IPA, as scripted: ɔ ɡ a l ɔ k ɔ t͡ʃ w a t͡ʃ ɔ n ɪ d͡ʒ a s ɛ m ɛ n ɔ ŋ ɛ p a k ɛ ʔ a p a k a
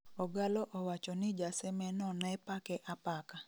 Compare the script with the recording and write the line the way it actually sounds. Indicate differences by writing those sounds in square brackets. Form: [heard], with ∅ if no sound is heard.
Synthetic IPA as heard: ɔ ɡ a l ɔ [ʔ] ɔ [∅] w a t͡ʃ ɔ n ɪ d͡ʒ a s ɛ m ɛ n ɔ [n] ɛ p a k ɛ ʔ a p a k a